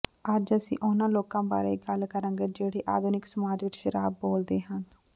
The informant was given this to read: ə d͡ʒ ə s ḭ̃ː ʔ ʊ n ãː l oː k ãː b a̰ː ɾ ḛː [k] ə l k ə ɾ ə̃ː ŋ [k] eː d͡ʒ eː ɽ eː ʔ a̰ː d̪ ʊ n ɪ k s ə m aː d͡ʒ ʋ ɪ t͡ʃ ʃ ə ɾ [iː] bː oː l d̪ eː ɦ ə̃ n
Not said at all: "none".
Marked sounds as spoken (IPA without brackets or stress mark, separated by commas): ɡ, ɡ, aː